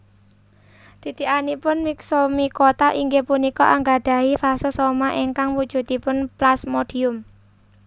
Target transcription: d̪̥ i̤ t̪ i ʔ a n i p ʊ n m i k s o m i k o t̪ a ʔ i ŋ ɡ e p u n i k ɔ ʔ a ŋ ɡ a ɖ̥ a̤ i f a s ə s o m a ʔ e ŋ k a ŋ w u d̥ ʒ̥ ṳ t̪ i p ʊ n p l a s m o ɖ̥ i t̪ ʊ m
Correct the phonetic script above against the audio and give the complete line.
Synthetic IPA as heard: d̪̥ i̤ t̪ i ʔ a n i p ʊ n m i k s o m i k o t̪ a ʔ i ŋ ɡ e p u n i k ɔ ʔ a ŋ ɡ a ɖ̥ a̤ i f a s ə s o m a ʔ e ŋ k a ŋ w u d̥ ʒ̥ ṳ t̪ i p ʊ n p l a s m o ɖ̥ i ʊ m